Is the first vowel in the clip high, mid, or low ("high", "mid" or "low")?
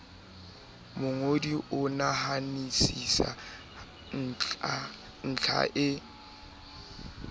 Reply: high